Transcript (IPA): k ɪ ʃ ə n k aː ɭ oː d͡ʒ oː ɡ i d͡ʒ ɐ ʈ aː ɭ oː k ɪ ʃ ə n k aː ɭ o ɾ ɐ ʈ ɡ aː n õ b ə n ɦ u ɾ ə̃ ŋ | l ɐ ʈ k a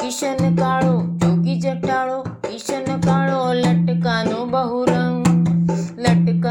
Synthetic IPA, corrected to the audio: k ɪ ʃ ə n k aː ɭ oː d͡ʒ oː ɡ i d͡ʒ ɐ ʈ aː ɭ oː k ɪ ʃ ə n k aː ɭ o l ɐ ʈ k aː n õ b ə ɦ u ɾ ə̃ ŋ | l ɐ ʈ k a